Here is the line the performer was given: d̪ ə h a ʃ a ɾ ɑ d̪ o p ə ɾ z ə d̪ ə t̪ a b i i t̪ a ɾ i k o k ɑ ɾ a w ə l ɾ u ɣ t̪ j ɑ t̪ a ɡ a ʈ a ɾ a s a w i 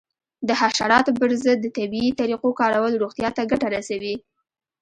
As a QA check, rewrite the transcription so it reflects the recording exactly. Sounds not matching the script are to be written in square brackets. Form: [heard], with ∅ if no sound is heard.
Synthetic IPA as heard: d̪ ə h a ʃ a ɾ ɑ [t̪] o p ə ɾ z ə [d̪ː] ə t̪ a b i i t̪ a ɾ i [q] o k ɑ ɾ a w ə l ɾ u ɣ t̪ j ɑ t̪ a ɡ a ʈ a ɾ a s a w i